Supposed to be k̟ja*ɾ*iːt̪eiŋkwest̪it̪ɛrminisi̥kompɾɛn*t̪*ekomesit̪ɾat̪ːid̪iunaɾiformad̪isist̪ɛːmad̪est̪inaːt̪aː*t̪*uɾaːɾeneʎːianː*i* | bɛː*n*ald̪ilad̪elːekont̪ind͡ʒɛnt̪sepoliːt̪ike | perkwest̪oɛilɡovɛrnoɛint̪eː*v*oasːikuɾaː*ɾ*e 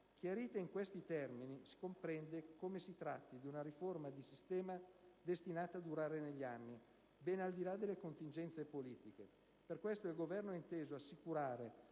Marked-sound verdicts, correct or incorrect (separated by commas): correct, incorrect, incorrect, correct, correct, incorrect, correct